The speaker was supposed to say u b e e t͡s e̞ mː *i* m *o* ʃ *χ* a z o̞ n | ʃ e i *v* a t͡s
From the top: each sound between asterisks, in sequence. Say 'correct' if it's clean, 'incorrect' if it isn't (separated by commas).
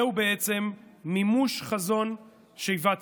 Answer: correct, incorrect, correct, correct